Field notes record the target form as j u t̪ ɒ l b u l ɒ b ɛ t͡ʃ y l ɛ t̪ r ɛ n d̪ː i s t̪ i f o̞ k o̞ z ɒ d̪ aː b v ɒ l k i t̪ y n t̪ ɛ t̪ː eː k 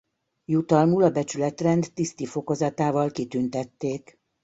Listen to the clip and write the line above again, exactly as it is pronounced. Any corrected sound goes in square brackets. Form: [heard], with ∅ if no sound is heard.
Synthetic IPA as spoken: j u t̪ ɒ l [m] u l ɒ b ɛ t͡ʃ y l ɛ t̪ r ɛ n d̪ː i s t̪ i f o̞ k o̞ z ɒ [t̪] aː [∅] v ɒ l k i t̪ y n t̪ ɛ t̪ː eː k

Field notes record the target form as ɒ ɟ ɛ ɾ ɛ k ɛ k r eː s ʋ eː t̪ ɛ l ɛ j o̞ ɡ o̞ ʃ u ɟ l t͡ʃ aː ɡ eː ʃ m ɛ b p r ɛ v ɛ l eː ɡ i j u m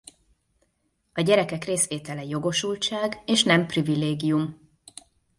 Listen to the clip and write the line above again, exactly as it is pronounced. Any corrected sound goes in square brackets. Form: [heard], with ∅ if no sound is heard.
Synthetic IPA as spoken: ɒ ɟ ɛ ɾ ɛ k ɛ k r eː s ʋ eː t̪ ɛ l ɛ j o̞ ɡ o̞ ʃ u [∅] l t͡ʃ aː ɡ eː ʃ [n] ɛ [m] p r [i] v [i] l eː ɡ i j u m

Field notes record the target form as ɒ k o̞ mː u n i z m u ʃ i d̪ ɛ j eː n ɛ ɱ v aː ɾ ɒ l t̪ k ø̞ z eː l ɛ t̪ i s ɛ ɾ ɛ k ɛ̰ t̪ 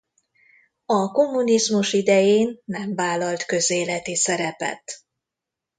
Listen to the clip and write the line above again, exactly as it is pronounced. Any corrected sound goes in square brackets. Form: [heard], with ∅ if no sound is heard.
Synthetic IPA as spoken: ɒ k o̞ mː u n i z m u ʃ i d̪ ɛ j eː [nː] ɛ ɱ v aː [l] ɒ l t̪ k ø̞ z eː l ɛ t̪ i s ɛ ɾ ɛ [p] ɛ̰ t̪

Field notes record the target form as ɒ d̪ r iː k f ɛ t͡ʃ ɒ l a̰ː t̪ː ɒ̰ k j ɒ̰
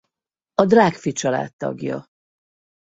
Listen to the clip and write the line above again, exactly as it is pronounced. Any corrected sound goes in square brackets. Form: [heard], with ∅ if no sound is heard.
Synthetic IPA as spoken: ɒ d̪ r [aː] k f [i] t͡ʃ ɒ l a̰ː t̪ː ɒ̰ [ɡ] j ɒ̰

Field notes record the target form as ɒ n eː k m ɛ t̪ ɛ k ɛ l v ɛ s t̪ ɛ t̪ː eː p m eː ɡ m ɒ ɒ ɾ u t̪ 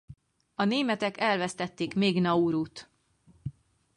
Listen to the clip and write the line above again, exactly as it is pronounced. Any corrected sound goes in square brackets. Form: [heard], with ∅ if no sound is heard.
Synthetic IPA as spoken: ɒ n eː [∅] m ɛ t̪ ɛ k ɛ l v ɛ s t̪ ɛ t̪ː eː [k] m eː ɡ [n] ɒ [u] ɾ u t̪

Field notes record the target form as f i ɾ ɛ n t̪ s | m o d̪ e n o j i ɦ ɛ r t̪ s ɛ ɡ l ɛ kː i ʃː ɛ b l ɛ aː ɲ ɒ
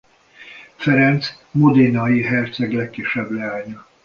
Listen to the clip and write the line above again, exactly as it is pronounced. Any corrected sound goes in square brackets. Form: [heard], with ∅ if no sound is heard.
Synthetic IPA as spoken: f [ɛ] ɾ ɛ n t̪ s | m o d̪ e n [ɒ] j i ɦ ɛ r t̪ s ɛ ɡ l ɛ kː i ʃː ɛ b l ɛ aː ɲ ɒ

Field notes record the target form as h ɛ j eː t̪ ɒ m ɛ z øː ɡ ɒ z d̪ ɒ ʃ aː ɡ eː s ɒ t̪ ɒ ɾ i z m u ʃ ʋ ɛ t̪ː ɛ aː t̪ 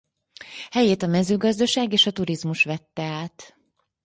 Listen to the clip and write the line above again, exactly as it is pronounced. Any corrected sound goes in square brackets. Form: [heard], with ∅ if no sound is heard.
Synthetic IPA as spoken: h ɛ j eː t̪ ɒ m ɛ z øː ɡ ɒ z d̪ ɒ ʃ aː ɡ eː [ʃ] ɒ t̪ [u] ɾ i z m u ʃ ʋ ɛ t̪ː ɛ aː t̪

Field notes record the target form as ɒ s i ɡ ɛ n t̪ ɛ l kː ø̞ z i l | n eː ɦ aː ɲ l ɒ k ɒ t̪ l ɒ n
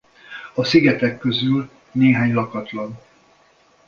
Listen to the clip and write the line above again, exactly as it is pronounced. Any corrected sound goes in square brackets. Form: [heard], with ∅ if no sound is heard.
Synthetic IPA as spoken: ɒ s i ɡ ɛ [∅] t̪ ɛ [∅] kː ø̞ z [y] l | n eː ɦ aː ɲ l ɒ k ɒ t̪ l ɒ n

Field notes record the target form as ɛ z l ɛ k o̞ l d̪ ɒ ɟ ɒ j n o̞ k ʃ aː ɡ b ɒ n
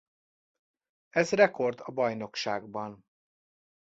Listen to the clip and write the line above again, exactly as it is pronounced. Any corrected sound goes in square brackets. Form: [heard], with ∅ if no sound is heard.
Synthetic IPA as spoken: ɛ z [r] ɛ k o̞ [r] d̪ ɒ [b] ɒ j n o̞ k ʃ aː ɡ b ɒ n

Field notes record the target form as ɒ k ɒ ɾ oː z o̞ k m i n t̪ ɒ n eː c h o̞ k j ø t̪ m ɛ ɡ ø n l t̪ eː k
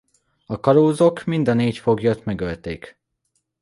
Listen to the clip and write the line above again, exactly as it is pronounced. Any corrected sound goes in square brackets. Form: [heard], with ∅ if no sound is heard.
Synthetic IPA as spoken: ɒ k ɒ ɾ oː z o̞ k m i n [d̪] ɒ n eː c [f] o̞ [ɡ] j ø t̪ m ɛ ɡ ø [∅] l t̪ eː k

